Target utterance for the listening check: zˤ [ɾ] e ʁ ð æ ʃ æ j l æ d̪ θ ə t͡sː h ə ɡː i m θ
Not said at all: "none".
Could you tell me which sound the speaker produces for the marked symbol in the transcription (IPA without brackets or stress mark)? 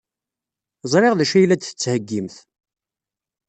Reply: ɾ